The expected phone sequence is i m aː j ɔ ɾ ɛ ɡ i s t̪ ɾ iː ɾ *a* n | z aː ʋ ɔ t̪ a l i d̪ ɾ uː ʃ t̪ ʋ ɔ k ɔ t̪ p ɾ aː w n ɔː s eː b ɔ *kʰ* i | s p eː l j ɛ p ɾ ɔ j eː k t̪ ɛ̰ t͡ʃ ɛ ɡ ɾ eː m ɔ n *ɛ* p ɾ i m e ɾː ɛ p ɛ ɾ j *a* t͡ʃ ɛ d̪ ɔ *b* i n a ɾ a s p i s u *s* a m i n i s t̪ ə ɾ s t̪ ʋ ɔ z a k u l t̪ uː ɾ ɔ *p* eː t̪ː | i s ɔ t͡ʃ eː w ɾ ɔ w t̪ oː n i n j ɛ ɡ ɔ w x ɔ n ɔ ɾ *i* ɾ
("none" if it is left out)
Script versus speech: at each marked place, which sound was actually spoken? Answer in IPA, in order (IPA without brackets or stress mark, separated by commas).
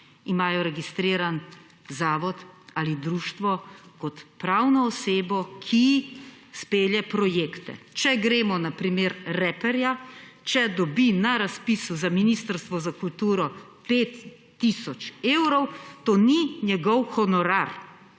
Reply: a, kʰ, a, a, b, z, p, a